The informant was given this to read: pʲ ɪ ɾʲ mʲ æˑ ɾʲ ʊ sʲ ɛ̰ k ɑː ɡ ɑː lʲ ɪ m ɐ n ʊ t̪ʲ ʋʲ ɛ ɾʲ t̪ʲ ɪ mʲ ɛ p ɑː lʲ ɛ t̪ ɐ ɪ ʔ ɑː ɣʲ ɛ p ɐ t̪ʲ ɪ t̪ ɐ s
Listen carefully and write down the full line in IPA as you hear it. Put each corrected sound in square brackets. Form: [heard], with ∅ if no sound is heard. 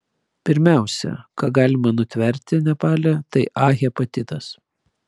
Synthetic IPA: pʲ ɪ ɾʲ mʲ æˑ [∅] ʊ sʲ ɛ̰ k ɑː ɡ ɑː lʲ ɪ m ɐ n ʊ t̪ʲ ʋʲ ɛ ɾʲ t̪ʲ ɪ [nʲ] ɛ p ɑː lʲ ɛ t̪ ɐ ɪ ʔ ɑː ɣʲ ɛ p ɐ t̪ʲ ɪ t̪ ɐ s